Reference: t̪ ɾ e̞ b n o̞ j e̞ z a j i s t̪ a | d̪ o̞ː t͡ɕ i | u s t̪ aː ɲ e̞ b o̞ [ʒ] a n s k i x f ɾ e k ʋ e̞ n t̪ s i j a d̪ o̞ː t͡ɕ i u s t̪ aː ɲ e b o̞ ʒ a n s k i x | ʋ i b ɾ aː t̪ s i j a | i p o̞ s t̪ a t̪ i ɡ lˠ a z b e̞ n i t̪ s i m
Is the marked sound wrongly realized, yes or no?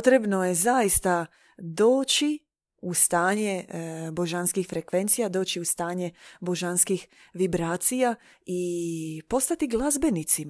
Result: no